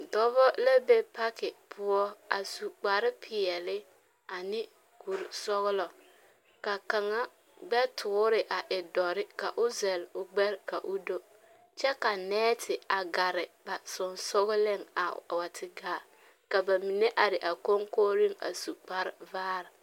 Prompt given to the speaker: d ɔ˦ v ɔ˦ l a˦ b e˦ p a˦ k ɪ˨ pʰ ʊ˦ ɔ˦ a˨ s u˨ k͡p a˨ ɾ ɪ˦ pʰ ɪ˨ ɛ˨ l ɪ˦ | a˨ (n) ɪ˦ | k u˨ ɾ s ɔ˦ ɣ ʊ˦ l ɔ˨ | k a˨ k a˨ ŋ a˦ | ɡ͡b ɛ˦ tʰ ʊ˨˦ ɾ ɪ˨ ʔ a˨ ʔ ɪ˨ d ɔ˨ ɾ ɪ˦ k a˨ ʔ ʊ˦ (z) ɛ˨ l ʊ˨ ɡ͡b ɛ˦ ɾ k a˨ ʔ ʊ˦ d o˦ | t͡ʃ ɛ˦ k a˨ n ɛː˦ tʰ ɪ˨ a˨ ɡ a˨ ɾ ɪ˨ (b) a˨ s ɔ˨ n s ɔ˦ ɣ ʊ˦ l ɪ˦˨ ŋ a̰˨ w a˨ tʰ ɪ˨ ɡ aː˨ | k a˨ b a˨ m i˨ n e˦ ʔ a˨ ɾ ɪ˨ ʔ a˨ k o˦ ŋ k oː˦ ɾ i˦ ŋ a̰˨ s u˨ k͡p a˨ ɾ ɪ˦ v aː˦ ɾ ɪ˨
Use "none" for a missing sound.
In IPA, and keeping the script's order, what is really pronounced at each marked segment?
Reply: n, z, b

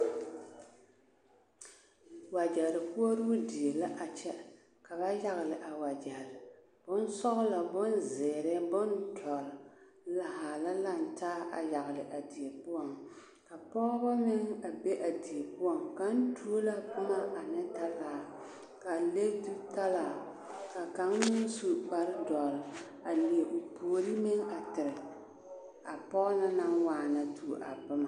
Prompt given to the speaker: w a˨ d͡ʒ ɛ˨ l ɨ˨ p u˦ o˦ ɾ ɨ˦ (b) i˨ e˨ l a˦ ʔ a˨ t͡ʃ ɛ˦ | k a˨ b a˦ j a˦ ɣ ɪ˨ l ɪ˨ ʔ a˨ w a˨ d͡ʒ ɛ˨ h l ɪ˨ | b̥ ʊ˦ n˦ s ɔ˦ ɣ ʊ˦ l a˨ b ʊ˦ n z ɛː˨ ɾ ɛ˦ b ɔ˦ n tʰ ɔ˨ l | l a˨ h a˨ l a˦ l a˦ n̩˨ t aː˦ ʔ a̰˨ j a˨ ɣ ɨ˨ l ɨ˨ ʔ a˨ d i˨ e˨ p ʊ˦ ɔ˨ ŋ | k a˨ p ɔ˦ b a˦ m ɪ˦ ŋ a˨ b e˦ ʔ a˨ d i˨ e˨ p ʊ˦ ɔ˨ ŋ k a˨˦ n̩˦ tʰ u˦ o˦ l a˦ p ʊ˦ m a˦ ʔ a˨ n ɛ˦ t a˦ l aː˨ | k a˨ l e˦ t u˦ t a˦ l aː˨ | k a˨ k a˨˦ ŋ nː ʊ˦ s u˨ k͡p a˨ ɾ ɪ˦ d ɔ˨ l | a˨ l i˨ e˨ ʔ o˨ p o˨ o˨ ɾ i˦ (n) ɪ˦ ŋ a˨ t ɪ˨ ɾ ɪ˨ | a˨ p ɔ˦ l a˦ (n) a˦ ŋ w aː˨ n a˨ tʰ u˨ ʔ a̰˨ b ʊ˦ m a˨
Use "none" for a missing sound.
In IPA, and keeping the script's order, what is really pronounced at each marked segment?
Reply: d, m, n

